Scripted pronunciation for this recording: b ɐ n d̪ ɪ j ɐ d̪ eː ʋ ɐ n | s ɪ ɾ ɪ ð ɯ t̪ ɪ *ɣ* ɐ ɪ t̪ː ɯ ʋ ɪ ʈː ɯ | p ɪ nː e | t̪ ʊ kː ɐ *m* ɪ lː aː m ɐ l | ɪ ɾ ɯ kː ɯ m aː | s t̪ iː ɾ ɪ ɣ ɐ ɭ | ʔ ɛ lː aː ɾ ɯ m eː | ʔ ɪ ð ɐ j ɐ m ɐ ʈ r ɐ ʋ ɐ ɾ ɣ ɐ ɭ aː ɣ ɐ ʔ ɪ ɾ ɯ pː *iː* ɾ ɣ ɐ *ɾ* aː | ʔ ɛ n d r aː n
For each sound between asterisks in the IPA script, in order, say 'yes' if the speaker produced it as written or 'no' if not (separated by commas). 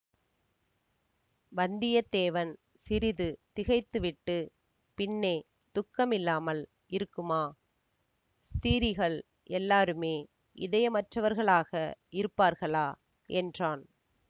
yes, yes, no, no